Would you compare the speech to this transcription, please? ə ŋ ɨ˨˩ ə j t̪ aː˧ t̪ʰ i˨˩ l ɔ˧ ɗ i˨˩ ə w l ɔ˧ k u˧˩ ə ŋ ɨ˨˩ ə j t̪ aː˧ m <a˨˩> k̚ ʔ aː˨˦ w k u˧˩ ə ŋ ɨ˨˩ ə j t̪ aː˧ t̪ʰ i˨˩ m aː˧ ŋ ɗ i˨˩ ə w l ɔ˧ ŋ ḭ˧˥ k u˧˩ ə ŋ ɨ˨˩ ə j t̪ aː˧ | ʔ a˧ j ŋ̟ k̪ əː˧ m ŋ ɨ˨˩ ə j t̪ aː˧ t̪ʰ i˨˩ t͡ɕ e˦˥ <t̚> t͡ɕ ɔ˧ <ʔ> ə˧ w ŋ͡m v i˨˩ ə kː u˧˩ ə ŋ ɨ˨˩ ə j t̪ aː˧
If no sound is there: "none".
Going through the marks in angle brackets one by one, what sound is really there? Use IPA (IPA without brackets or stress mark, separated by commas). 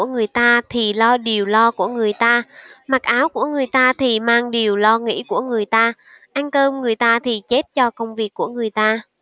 a˨˩, t̚, k